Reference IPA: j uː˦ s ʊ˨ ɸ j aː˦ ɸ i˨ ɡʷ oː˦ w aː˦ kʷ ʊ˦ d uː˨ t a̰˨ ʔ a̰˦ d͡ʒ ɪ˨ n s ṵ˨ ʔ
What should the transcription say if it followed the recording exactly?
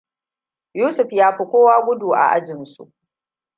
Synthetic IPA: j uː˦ s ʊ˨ ɸ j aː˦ ɸ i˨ kʷ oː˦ w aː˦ ɡʷ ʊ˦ d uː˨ ʔ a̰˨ ʔ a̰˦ d͡ʒ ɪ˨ n s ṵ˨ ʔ